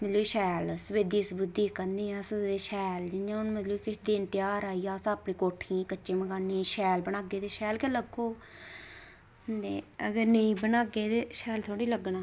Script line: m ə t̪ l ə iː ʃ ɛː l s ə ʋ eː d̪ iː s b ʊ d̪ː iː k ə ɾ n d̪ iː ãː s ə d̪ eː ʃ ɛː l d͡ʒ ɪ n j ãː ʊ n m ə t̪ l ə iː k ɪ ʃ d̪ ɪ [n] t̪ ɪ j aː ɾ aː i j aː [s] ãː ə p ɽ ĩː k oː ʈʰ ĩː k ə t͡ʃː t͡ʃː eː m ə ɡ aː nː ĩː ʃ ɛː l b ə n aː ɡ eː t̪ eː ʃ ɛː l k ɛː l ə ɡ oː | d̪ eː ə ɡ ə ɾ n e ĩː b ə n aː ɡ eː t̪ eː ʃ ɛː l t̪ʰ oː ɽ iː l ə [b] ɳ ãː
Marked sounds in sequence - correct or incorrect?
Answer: correct, correct, incorrect: ɡ

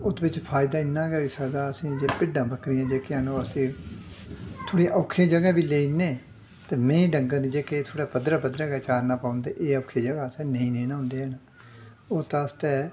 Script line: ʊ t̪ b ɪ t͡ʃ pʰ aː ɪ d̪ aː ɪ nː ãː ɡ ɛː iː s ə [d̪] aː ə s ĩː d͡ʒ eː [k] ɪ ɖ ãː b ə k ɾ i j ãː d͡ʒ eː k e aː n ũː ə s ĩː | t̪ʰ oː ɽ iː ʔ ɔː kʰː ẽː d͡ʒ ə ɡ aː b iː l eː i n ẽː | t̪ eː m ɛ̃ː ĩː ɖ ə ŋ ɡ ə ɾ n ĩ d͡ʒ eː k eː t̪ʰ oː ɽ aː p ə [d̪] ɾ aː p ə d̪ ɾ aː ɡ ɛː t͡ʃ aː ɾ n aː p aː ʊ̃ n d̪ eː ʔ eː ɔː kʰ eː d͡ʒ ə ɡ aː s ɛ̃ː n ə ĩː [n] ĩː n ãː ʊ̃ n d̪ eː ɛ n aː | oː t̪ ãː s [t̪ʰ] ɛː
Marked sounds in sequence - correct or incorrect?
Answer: correct, incorrect: p, correct, correct, incorrect: t̪

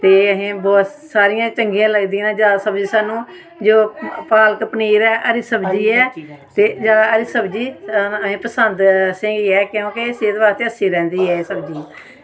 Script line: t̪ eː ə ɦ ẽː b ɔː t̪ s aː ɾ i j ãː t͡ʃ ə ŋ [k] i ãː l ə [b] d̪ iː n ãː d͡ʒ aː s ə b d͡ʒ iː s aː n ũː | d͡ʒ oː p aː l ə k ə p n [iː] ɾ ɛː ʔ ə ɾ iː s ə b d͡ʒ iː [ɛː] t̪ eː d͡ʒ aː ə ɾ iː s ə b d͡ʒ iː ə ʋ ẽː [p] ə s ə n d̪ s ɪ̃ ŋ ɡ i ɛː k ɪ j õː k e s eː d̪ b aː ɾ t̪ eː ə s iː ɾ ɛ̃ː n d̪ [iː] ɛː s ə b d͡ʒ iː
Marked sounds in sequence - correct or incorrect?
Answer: incorrect: ɡ, incorrect: ɡ, correct, correct, correct, correct

